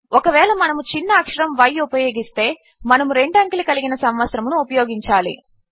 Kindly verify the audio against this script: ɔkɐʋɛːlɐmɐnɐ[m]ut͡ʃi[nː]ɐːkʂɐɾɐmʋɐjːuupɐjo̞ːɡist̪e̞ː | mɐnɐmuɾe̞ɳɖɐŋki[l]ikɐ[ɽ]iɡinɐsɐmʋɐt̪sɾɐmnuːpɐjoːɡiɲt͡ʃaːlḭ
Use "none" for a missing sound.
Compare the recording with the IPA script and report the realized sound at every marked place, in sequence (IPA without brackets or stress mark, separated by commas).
m, nː, l, l